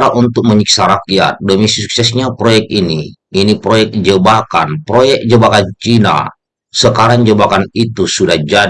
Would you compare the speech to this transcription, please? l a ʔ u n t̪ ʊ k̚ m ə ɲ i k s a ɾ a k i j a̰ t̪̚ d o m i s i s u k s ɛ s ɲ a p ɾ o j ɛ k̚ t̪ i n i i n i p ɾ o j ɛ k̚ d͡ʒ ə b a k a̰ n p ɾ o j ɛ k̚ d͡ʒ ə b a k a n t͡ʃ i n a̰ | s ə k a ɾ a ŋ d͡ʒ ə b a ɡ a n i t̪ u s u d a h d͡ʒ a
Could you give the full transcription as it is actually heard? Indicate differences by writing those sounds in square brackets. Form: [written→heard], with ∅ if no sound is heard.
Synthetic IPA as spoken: [l→ɾ] a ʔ u n t̪ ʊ k̚ m ə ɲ i k s a ɾ a k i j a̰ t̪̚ d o m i s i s u k s ɛ s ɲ a p ɾ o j ɛ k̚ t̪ i n i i n i p ɾ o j ɛ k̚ d͡ʒ ə b a k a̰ n p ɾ o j ɛ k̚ d͡ʒ ə b a k a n t͡ʃ i n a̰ | s ə k a ɾ a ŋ d͡ʒ ə b a [ɡ→k] a n i t̪ u s u d a h d͡ʒ a